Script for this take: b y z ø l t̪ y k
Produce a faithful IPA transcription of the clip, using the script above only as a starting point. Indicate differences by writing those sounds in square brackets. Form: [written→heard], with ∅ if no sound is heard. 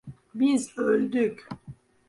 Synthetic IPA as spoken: b [y→i] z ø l [t̪→d̪] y k